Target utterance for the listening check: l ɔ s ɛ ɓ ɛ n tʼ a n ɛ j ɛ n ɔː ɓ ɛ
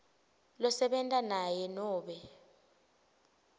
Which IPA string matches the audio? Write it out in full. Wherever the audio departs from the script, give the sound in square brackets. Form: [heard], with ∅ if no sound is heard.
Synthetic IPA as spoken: l ɔ s ɛ ɓ ɛ n tʼ a n [a] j ɛ n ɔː ɓ ɛ